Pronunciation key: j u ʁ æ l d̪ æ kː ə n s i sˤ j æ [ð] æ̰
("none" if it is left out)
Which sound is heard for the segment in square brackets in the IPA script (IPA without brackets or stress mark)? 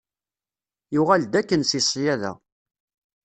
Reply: ð